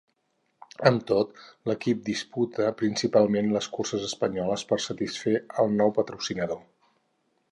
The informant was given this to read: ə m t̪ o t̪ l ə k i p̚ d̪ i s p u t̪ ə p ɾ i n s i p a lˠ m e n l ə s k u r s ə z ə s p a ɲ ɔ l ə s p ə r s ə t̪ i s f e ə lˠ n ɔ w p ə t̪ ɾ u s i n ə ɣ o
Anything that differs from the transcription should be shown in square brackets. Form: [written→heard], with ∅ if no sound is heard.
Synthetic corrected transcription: ə m t̪ o t̪ l ə k i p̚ d̪ i s p u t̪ ə p ɾ i n s i p a lˠ m e n l ə s k u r s ə z ə s p [a→ə] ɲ ɔ l ə s p ə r s ə t̪ i s f e ə lˠ n ɔ w p ə t̪ ɾ u s i n ə [ɣ→ð] o

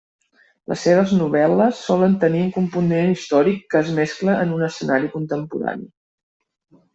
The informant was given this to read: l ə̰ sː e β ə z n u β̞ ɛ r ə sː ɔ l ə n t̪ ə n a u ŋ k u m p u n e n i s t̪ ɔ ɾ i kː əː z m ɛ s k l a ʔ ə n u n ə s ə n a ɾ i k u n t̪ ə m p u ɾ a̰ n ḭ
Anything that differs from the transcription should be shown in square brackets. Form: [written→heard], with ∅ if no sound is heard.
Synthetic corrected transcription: l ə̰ sː e β ə z n u β̞ ɛ [r→l] ə sː ɔ l ə n t̪ ə n [a→i] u ŋ k u m p u n e n i s t̪ ɔ ɾ i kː əː z m ɛ s k l [a→ə] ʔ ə n u n ə s ə n a ɾ i k u n t̪ ə m p u ɾ a̰ n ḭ

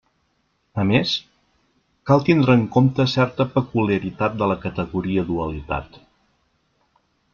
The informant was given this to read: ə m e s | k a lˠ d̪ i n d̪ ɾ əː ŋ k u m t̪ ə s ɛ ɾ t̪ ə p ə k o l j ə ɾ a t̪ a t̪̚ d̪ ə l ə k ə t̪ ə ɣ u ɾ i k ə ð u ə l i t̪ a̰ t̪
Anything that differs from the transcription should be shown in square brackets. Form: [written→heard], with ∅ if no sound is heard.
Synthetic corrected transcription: ə m e s | k a lˠ [d̪→t̪] i n d̪ ɾ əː ŋ k [u→o] m t̪ ə s ɛ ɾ t̪ ə p ə k [o→u] l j ə ɾ [a→i] t̪ a t̪̚ d̪ ə l ə k ə t̪ ə ɣ u ɾ i [k→∅] ə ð u ə l i t̪ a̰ t̪

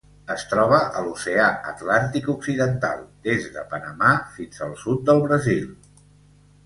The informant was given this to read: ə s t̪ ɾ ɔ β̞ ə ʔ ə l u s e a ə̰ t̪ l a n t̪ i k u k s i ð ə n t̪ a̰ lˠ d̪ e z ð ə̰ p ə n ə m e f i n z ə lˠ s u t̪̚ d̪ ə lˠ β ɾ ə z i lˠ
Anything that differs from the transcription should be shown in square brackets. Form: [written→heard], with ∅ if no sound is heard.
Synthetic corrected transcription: ə s t̪ ɾ ɔ β̞ ə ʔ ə l u s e a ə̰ t̪ l a n t̪ i k u k s i ð ə n t̪ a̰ lˠ d̪ e z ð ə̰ p ə n ə m [e→a] f i n z ə lˠ s u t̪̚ d̪ ə lˠ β ɾ ə z i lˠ

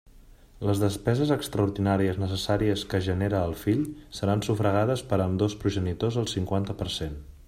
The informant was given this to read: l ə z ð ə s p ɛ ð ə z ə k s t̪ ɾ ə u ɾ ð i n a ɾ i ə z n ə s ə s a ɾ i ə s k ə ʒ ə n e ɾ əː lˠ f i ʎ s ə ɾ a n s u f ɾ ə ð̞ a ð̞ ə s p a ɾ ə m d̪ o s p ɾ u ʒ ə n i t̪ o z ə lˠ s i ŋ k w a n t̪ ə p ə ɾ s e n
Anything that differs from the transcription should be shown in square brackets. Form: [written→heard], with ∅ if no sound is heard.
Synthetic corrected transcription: l ə z ð ə s p ɛ [ð→z] ə z ə k s t̪ ɾ ə u ɾ ð i n a ɾ i ə z n ə s ə s a ɾ i ə s k ə ʒ ə n e ɾ əː lˠ f i ʎ s ə ɾ a n s u f ɾ ə [ð̞→ɣ̞] a ð̞ ə s p [a→ə] ɾ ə m d̪ o s p ɾ u ʒ ə n i t̪ o z ə lˠ s i ŋ k w a n t̪ ə p ə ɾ s e n

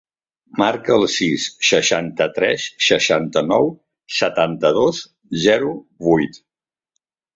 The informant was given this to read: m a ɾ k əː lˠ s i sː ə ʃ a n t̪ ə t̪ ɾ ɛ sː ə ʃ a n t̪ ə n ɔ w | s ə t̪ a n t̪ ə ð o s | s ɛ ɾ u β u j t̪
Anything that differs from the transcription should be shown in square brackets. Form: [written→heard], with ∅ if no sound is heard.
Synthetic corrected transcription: m a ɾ k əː lˠ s i sː ə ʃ a n t̪ ə t̪ ɾ ɛ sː ə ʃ a n t̪ ə n ɔ w | s ə t̪ a n t̪ ə ð o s | [s→z] ɛ ɾ u β u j t̪

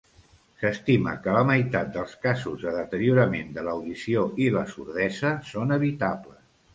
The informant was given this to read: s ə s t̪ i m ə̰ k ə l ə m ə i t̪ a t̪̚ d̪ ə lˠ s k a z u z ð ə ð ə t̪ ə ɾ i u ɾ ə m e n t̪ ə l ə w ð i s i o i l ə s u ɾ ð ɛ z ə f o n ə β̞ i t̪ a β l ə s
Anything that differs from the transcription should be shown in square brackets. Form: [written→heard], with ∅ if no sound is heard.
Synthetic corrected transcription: s ə s t̪ i m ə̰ k ə l ə m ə [i→j] t̪ a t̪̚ d̪ ə lˠ s k a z u z ð ə ð ə t̪ ə ɾ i u ɾ ə m e n [t̪→d̪] ə l ə w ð i s i o i l ə s u ɾ ð ɛ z ə [f→s] o n ə β̞ i t̪ a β l ə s

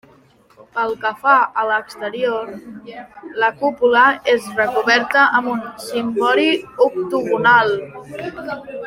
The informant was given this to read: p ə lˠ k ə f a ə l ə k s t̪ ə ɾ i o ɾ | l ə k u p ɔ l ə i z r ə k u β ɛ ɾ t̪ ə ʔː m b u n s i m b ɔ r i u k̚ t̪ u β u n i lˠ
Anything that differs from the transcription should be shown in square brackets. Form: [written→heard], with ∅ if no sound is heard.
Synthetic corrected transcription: p ə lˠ k ə f a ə l ə k s t̪ ə ɾ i o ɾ | l ə k u p [ɔ→u] l ə [i→e] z r ə k u β ɛ ɾ t̪ ə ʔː m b u n s i m b ɔ [r→ɾ] i u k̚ t̪ u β u n [i→a] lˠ

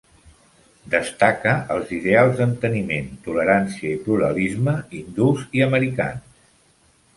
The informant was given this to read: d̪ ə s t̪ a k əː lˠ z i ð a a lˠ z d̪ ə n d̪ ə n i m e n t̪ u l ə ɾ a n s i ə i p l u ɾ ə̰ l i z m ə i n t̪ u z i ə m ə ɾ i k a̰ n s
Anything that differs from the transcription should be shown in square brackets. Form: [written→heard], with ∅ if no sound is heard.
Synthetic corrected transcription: d̪ ə s t̪ a k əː lˠ z i ð [a→e] a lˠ z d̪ ə n [d̪→t̪] ə n i m e n t̪ u l ə ɾ a n s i ə i p l u ɾ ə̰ l i z m ə i n [t̪→d̪] u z i ə m ə ɾ i k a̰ n s

